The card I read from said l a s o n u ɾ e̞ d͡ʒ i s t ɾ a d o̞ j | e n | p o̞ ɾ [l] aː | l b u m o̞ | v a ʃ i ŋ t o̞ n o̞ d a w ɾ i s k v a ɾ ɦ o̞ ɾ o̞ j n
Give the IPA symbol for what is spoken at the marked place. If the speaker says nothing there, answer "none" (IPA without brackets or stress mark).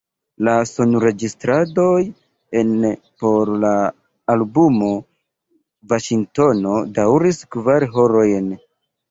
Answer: l